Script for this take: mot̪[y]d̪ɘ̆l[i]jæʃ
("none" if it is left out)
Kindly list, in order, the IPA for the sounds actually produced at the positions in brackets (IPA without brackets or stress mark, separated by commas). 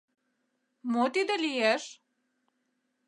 i, i